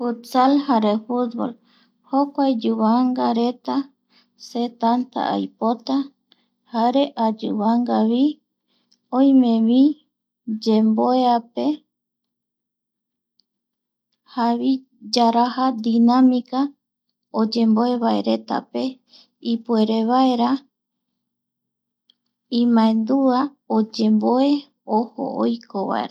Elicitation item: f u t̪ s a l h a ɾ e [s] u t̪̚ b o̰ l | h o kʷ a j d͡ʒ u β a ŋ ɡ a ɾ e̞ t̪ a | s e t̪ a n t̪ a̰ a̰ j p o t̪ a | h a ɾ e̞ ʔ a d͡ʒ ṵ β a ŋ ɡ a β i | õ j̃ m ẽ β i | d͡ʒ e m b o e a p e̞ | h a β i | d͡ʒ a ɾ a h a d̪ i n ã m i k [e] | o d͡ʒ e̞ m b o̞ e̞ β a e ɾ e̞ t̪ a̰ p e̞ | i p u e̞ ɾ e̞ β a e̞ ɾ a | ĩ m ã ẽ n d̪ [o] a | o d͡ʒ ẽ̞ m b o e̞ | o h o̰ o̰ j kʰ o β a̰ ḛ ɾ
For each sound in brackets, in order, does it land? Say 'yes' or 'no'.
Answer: no, no, no

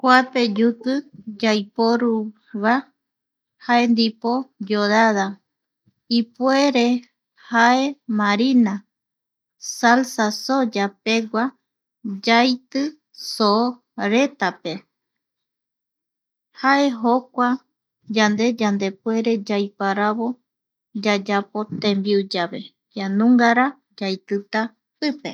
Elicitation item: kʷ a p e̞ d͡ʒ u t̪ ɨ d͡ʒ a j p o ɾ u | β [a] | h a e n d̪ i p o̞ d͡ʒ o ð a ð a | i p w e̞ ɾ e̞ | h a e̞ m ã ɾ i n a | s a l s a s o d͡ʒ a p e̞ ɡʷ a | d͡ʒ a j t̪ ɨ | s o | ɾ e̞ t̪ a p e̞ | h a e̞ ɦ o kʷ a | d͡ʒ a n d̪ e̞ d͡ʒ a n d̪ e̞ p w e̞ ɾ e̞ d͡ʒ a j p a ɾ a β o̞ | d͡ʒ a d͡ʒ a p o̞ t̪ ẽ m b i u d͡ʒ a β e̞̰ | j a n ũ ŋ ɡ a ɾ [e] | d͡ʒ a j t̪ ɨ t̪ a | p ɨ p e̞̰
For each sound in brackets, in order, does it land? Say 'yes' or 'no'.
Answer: yes, no

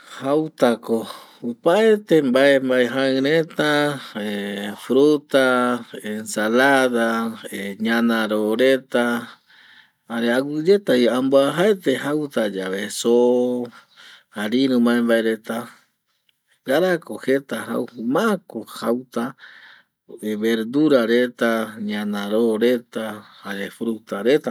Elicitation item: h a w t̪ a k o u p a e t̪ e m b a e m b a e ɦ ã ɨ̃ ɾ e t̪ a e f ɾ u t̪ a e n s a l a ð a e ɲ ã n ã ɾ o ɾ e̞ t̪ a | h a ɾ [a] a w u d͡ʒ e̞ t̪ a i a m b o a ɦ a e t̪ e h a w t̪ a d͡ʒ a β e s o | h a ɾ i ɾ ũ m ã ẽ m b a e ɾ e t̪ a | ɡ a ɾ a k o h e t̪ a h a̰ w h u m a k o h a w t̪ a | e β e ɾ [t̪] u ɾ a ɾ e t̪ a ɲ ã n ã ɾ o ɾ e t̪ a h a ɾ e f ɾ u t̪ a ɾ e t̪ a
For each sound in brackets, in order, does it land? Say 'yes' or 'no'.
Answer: no, no

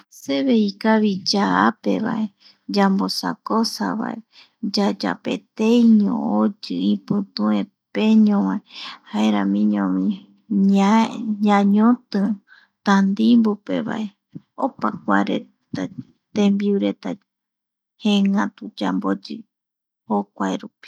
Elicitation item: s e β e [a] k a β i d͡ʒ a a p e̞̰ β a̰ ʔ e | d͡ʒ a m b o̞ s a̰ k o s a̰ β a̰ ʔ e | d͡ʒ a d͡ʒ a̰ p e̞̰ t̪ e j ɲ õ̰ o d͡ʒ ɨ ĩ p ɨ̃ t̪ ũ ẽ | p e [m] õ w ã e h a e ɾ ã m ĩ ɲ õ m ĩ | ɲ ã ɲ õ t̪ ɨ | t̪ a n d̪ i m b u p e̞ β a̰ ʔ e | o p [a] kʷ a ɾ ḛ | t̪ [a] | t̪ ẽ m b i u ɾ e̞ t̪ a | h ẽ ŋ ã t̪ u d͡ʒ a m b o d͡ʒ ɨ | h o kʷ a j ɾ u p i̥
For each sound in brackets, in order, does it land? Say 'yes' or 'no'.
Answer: no, no, yes, yes

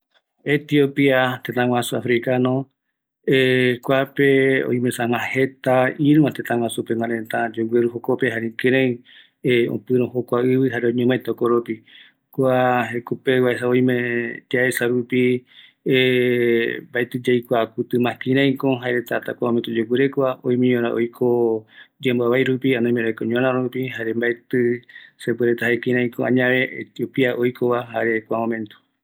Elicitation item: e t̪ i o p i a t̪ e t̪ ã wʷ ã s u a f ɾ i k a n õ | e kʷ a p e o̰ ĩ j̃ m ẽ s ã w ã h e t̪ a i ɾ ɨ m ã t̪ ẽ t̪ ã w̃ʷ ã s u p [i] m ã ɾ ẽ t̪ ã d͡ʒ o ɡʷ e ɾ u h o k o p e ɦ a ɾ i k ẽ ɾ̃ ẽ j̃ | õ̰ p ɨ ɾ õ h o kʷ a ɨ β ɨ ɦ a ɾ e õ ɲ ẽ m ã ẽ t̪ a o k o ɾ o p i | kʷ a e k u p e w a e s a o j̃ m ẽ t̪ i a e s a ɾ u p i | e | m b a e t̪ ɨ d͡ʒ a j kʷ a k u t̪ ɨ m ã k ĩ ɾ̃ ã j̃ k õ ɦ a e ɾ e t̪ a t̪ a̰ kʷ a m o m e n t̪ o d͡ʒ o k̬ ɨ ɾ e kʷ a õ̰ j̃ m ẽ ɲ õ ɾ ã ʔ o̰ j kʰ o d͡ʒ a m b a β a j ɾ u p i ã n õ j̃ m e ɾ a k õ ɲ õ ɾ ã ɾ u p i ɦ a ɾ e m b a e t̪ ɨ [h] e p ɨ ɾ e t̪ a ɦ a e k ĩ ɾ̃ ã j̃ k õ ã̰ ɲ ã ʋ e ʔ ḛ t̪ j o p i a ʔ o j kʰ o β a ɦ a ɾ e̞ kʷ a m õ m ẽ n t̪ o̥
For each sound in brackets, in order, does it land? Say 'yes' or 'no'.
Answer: no, no

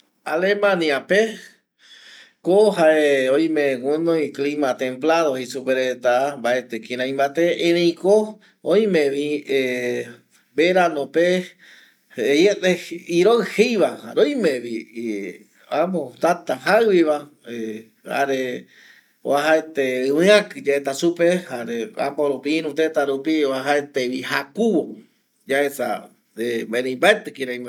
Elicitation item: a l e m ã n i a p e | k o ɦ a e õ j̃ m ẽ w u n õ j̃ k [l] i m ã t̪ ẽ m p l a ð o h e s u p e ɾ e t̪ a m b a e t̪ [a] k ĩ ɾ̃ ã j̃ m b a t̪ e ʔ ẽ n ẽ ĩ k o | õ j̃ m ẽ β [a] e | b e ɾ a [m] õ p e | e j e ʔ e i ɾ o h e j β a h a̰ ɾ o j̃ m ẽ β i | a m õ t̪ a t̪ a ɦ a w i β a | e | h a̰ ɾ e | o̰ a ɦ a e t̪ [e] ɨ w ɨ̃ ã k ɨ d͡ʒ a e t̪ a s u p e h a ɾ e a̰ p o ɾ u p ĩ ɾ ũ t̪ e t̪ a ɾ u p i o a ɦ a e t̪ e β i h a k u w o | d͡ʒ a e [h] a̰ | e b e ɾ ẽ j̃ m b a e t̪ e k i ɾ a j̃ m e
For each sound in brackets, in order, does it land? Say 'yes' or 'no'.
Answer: yes, no, no, no, yes, no

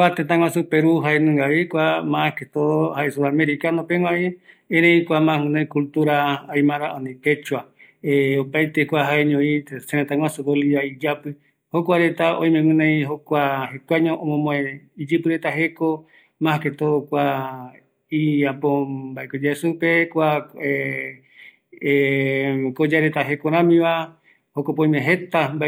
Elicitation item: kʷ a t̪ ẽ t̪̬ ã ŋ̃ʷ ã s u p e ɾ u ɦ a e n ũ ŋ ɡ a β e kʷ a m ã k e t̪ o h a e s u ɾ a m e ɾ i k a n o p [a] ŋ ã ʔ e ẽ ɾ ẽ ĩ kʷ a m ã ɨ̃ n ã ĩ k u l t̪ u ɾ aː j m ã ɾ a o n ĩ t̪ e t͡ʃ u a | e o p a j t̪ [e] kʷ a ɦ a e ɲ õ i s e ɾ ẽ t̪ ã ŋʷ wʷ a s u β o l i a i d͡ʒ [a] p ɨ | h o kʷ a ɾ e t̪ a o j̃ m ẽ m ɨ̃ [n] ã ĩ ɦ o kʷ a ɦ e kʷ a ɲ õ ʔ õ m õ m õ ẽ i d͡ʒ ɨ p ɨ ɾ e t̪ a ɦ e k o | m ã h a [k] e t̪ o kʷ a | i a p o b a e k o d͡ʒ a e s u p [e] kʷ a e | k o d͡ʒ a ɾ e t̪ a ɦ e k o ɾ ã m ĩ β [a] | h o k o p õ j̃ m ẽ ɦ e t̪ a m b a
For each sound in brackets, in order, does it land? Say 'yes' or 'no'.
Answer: no, yes, yes, yes, yes, yes, yes

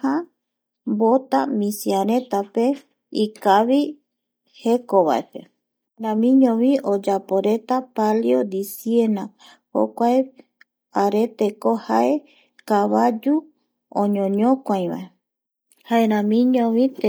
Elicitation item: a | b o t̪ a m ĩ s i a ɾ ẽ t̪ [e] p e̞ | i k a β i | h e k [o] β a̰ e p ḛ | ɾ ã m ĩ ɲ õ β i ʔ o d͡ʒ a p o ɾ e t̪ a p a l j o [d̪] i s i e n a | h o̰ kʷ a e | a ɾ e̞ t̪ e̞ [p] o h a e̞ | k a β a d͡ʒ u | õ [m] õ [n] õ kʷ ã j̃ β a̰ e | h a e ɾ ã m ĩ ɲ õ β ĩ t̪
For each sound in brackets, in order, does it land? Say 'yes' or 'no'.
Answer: no, yes, yes, no, no, no

